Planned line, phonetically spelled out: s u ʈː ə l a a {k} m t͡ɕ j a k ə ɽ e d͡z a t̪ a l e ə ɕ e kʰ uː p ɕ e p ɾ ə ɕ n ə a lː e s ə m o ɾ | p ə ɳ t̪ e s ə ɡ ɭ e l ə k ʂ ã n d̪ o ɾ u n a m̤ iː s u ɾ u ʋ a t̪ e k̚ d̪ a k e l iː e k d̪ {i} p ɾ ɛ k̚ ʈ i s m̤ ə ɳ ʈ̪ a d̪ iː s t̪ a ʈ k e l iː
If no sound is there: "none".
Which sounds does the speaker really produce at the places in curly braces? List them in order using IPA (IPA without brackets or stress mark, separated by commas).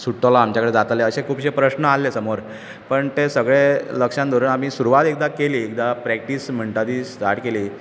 none, a